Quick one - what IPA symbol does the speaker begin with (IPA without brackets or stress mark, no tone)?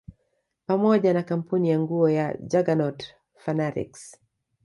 p